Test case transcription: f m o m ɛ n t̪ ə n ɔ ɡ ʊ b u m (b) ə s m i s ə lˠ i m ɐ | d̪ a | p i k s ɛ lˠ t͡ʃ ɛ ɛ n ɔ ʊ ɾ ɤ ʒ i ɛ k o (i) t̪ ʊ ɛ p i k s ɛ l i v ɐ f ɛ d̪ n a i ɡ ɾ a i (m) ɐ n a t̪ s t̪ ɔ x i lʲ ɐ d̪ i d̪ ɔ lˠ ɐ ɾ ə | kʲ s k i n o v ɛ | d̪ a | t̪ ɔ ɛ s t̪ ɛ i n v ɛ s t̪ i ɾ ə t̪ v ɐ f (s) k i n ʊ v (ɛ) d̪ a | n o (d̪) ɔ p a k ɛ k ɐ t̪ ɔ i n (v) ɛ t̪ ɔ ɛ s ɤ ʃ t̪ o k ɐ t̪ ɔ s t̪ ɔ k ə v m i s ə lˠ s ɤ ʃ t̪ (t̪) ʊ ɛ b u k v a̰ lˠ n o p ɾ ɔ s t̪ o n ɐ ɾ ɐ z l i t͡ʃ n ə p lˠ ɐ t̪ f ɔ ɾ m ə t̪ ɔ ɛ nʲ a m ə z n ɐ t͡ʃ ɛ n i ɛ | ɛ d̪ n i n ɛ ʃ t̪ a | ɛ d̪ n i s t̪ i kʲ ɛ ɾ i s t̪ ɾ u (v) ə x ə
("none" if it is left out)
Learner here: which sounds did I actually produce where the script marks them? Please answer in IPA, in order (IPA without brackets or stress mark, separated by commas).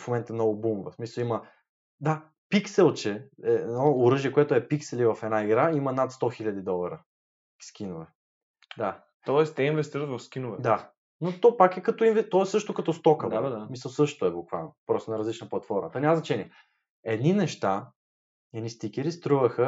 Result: v, ɛ, m, s, ɛ, t̪, v, t̪, v